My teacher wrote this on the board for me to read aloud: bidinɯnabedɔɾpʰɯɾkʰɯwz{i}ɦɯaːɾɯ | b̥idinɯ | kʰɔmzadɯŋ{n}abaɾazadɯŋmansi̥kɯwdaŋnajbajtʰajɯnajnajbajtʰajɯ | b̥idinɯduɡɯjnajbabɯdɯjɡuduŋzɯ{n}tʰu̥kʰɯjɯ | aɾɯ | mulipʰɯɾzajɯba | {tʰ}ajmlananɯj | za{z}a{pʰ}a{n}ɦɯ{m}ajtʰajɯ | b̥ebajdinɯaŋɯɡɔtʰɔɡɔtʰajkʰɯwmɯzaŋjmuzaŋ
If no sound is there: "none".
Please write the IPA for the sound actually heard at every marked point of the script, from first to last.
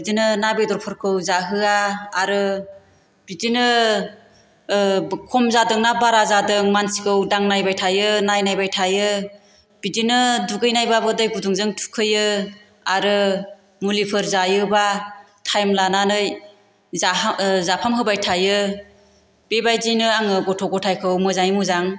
a, n, ŋ, tʰ, z, pʰ, m, b

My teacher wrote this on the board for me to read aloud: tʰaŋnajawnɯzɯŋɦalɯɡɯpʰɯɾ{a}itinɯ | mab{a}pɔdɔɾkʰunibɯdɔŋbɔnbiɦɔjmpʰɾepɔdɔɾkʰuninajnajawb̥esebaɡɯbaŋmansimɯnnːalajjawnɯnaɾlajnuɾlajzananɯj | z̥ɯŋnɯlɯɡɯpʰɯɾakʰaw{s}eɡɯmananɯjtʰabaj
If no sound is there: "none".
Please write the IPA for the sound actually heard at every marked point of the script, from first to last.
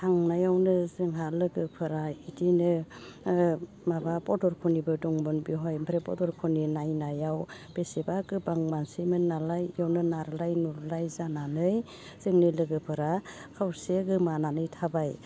a, a, s

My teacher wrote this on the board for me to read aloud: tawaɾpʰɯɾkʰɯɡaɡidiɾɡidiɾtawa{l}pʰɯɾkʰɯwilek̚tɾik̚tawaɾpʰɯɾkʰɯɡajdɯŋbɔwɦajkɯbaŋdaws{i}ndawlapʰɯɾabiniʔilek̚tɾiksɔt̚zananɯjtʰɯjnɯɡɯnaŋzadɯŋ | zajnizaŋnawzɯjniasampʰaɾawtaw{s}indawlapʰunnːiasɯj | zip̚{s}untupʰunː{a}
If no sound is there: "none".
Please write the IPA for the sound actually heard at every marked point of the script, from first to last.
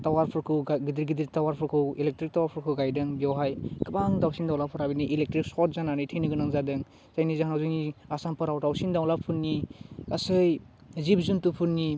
ɾ, i, s, z, i

